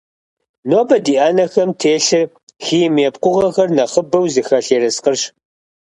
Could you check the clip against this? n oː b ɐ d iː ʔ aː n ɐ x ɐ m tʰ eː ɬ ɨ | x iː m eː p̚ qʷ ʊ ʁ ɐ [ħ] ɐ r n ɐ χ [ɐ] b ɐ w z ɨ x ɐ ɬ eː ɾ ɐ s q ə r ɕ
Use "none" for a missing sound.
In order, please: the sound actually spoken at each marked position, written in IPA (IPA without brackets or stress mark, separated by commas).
x, ə